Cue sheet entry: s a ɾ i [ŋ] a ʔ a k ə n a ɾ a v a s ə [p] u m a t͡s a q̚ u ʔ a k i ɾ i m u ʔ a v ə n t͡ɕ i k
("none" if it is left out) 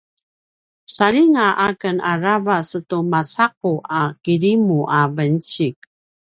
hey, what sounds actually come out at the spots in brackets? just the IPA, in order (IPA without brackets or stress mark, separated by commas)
ŋ, t